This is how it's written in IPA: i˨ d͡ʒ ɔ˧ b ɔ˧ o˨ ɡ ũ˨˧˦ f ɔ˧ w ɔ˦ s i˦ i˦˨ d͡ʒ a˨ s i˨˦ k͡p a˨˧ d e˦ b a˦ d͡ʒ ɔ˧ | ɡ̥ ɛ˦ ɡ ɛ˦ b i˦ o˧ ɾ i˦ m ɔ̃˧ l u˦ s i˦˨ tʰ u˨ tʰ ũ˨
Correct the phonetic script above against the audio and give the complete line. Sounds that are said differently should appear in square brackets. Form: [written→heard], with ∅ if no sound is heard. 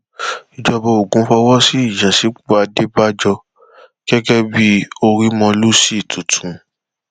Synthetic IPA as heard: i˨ d͡ʒ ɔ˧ b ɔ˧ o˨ ɡ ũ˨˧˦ f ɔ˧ w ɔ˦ s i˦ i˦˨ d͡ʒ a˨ s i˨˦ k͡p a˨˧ d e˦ b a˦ d͡ʒ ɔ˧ | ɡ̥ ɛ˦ ɡ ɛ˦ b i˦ o˧ ɾ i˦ m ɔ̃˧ l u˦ s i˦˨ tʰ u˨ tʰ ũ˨